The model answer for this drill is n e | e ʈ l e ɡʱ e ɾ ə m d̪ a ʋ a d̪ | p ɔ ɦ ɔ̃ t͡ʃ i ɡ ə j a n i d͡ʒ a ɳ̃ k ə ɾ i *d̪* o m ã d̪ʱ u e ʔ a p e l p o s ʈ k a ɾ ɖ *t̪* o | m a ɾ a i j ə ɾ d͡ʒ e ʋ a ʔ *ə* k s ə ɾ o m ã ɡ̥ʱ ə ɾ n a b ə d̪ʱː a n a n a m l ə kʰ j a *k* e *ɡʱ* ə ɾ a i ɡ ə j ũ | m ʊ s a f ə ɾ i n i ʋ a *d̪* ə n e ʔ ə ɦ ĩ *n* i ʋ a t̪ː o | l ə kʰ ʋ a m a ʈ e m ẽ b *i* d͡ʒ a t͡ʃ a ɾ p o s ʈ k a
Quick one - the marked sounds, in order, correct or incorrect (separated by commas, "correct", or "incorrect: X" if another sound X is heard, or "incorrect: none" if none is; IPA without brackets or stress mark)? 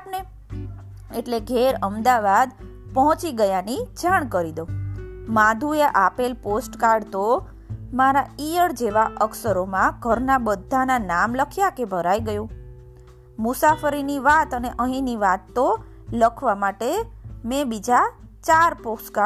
correct, correct, correct, correct, incorrect: bʱ, incorrect: t̪, correct, correct